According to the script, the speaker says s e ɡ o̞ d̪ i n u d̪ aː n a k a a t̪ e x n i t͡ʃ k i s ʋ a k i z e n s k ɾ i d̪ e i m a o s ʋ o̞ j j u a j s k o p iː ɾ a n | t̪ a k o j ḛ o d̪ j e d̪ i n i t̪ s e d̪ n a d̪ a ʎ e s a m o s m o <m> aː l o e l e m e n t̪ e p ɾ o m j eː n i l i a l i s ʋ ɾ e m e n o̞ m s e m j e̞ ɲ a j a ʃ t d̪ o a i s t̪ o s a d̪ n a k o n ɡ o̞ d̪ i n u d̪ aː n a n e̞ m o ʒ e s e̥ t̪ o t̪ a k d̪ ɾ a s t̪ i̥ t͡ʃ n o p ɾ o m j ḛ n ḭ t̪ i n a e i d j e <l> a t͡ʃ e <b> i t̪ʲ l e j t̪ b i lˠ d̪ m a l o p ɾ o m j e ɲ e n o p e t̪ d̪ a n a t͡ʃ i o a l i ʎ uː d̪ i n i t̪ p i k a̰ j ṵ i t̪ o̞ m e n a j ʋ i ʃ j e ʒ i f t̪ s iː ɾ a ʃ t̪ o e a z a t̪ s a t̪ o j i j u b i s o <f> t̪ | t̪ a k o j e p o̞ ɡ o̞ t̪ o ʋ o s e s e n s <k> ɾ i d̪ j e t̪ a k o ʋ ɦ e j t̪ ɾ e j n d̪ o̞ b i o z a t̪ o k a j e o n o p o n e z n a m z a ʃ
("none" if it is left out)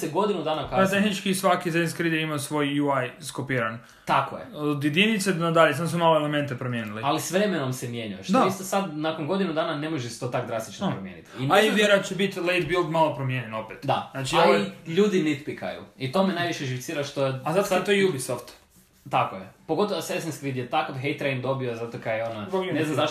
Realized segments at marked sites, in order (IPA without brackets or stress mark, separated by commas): m, ɾ, b, f, k